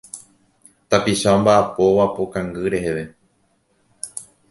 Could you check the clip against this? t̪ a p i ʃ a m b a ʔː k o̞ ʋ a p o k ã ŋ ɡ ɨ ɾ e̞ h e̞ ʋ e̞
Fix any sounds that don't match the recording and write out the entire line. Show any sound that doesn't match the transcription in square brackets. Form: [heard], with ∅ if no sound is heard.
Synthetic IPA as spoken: t̪ a p i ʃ a m b a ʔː [p] o̞ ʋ a p o k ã ŋ ɡ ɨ ɾ e̞ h e̞ ʋ e̞